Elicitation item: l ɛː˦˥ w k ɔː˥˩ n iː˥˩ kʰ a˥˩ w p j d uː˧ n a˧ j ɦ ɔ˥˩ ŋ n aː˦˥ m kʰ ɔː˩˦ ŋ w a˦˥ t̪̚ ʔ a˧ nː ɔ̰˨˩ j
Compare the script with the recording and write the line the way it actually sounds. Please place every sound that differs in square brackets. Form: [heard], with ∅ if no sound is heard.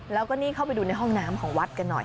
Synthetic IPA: l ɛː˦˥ w k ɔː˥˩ n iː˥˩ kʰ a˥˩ w p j d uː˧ n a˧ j ɦ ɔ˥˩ ŋ n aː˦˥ m kʰ ɔː˩˦ ŋ w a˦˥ t̪̚ [k] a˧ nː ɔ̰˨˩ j